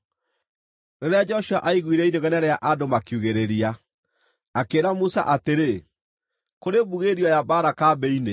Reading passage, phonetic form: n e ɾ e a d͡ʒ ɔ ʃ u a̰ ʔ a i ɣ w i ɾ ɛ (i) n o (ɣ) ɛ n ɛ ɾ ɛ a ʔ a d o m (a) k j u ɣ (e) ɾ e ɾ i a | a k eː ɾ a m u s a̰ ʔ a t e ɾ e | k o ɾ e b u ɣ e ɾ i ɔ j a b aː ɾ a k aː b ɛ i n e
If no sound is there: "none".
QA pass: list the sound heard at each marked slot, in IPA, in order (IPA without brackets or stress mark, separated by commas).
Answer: i, ɣ, a, e